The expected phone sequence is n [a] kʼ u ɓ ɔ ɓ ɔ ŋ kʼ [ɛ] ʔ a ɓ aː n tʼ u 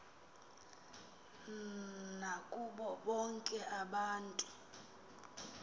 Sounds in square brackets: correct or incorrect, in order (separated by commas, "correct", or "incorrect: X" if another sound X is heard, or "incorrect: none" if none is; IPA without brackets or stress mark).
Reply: correct, correct